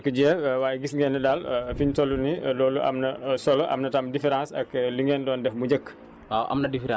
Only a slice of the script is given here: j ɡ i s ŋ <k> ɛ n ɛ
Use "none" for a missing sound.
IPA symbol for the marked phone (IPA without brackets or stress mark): ɡ